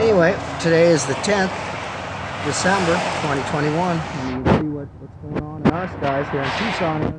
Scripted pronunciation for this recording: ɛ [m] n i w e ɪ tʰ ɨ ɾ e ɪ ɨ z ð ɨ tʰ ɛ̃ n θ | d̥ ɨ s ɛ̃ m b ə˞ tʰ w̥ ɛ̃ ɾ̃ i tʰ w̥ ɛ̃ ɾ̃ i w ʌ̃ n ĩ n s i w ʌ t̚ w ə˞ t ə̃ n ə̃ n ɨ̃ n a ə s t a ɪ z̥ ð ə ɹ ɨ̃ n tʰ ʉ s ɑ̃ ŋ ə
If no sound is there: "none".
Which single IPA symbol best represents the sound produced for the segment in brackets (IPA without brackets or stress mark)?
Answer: none